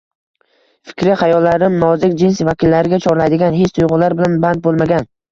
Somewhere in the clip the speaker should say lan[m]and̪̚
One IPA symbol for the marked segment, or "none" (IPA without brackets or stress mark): b